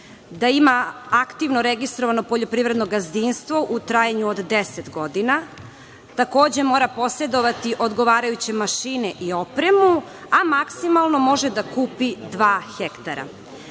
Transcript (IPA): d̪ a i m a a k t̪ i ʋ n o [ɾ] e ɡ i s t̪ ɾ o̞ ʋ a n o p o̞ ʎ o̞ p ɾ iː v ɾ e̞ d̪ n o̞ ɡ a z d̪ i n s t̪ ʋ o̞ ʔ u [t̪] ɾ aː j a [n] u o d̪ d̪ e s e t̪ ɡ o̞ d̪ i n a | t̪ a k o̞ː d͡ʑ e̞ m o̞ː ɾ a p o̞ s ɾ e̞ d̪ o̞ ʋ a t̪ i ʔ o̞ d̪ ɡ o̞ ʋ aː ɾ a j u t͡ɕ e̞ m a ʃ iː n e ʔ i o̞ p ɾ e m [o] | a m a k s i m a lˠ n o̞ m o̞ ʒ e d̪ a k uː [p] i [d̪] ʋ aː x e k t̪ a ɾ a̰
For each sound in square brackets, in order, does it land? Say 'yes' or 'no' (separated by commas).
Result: yes, yes, no, no, yes, yes